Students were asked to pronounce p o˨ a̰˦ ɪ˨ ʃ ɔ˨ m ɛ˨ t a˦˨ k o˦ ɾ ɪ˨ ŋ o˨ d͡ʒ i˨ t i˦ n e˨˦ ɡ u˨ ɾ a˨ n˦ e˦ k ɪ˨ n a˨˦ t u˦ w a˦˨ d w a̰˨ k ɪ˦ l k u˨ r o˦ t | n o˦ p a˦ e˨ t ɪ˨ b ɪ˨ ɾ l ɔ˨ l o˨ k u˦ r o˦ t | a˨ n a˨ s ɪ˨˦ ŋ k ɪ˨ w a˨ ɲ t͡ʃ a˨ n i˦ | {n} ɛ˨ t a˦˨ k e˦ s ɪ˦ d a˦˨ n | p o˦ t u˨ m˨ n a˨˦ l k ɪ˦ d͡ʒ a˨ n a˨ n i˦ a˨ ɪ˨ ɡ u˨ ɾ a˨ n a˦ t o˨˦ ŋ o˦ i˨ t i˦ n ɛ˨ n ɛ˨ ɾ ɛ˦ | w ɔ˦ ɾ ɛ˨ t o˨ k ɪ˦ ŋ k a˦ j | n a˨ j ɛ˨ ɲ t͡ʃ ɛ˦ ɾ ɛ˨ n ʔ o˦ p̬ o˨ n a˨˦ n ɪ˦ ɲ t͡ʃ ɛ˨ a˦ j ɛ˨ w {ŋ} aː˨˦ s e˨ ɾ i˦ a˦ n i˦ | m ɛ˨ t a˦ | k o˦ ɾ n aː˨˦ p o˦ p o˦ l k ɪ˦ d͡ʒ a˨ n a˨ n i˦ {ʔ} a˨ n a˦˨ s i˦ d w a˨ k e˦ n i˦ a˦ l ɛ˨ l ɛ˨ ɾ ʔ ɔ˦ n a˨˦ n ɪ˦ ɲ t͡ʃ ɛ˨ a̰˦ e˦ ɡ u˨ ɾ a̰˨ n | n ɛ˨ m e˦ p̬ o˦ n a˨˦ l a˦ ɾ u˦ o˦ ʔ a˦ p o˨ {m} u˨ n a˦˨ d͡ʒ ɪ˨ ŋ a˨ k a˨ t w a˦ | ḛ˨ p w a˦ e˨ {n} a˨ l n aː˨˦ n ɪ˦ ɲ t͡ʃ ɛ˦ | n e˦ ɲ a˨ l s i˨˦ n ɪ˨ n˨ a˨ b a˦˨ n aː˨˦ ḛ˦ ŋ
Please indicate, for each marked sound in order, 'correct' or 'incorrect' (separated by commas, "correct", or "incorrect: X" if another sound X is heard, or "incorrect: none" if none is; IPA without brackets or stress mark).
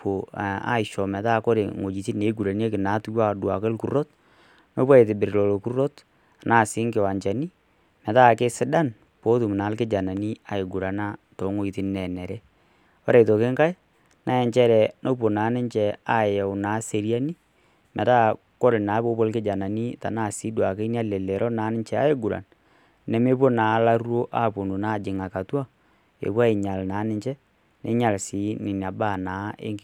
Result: incorrect: m, incorrect: n, incorrect: t, incorrect: n, incorrect: ɲ